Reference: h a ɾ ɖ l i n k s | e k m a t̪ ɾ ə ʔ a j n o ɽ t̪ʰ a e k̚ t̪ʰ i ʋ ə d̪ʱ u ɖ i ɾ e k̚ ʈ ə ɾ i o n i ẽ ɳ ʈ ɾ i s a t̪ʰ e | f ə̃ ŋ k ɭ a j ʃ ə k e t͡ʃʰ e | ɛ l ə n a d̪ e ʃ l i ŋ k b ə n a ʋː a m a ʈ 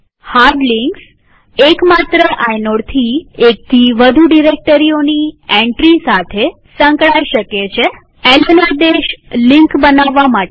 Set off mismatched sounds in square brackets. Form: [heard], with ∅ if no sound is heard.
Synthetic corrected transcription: h a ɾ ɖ l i [ŋ] k s | e k m a t̪ ɾ ə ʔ a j n o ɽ t̪ʰ [i] e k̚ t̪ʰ i ʋ ə d̪ʱ u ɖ i ɾ e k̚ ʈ ə ɾ i o n i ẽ ɳ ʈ ɾ i s a t̪ʰ e | [s] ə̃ ŋ k ɭ a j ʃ ə k e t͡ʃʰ e | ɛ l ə n a d̪ e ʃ l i ŋ k b ə n a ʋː a m a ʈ